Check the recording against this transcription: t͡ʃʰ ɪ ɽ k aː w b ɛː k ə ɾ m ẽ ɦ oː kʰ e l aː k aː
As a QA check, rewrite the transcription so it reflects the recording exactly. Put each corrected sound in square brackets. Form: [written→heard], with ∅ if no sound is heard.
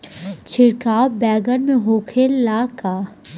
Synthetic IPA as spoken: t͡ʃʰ ɪ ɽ k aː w b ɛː [k→ɡ] ə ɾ m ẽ ɦ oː kʰ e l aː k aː